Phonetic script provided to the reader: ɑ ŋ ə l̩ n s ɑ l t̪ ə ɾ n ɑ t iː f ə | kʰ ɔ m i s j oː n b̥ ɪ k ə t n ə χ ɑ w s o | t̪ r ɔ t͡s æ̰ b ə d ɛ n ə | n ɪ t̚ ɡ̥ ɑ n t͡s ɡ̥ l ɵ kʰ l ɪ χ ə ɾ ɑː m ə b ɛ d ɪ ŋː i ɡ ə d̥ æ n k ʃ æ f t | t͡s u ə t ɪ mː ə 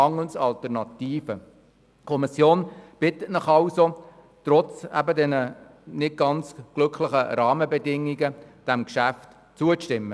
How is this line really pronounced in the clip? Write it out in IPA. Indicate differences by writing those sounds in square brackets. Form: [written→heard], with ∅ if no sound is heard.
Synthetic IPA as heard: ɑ ŋ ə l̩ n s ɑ l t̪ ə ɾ n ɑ t iː f ə | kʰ ɔ m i s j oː n b̥ ɪ [k→t] ə t n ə χ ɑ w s o | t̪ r ɔ t͡s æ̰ b ə d ɛ n ə | n ɪ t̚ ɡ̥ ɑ n t͡s ɡ̥ l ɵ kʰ l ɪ χ ə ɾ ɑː m ə b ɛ d ɪ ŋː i ɡ ə d̥ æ [n→m] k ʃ æ f t | t͡s u ə t ɪ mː ə